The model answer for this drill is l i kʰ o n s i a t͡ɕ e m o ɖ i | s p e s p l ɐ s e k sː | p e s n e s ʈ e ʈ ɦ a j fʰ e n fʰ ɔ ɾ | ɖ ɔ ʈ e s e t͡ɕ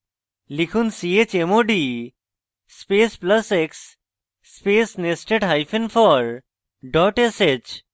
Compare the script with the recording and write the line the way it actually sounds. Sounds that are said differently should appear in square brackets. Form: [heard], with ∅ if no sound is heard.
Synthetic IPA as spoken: l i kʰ [u] n s i [e] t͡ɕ e m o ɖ i | s p e s p l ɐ s e k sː | p e s n e s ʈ e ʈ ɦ a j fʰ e n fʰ ɔ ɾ | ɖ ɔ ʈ e s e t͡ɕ